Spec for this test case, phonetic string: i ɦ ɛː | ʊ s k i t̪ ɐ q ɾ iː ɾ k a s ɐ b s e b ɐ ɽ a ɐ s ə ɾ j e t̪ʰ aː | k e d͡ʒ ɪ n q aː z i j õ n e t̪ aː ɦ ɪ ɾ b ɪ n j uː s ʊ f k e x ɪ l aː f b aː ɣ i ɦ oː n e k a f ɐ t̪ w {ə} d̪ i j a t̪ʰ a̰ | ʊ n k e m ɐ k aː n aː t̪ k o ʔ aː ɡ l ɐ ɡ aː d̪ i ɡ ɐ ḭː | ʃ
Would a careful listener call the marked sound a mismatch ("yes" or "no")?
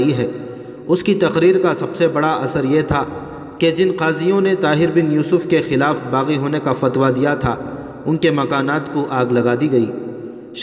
yes